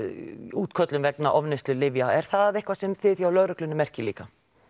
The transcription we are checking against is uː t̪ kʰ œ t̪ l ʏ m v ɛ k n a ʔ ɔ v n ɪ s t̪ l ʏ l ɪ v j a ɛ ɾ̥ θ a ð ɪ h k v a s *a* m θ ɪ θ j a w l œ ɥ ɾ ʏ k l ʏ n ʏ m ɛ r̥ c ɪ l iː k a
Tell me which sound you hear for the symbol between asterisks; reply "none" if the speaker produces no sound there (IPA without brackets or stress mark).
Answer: ɛ